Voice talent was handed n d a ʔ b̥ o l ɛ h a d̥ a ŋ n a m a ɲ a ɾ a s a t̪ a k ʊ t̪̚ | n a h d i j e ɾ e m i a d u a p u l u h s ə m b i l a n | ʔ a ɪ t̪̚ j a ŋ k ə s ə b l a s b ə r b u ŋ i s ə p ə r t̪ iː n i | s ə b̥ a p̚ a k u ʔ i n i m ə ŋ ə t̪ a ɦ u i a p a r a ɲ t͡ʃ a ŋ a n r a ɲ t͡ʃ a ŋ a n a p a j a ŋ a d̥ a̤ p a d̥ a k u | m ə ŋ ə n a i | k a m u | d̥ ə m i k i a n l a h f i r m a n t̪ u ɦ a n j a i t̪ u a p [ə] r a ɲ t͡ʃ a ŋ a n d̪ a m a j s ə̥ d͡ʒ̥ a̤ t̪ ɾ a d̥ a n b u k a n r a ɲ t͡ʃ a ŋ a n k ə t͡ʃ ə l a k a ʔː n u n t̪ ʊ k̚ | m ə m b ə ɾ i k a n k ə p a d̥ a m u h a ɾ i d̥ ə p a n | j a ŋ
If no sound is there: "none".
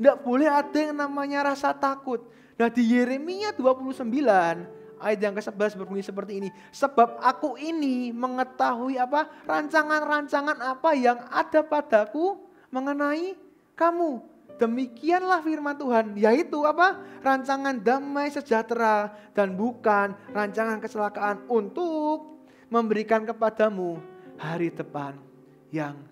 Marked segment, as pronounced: a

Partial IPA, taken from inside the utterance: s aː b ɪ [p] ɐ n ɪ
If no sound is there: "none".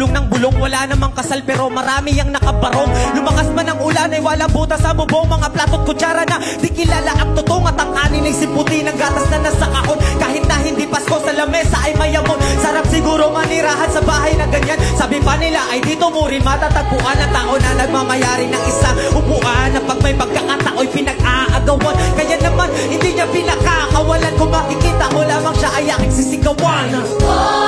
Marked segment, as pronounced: p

